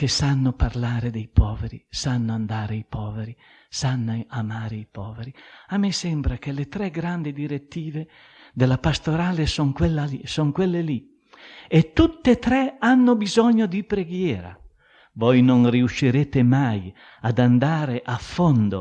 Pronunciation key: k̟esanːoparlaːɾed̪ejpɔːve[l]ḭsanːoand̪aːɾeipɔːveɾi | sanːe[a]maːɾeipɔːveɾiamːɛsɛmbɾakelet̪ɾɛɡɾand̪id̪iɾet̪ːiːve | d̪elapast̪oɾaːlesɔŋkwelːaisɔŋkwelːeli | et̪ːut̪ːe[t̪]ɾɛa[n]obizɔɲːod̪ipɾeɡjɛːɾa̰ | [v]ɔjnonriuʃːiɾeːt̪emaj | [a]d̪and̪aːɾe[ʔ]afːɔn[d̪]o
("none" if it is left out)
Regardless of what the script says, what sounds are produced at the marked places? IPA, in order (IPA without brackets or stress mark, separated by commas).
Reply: ɾ, a, t̪, nː, v, a, ʔ, d̪